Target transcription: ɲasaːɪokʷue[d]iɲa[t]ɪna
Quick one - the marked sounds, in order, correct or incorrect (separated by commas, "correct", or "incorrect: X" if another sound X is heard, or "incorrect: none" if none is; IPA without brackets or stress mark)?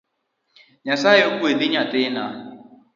correct, correct